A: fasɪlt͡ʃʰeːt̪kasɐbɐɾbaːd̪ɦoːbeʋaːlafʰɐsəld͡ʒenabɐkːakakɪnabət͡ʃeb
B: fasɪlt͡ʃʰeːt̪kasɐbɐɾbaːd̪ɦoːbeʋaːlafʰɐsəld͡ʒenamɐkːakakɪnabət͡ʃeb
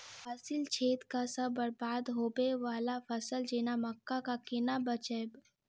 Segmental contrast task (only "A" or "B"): B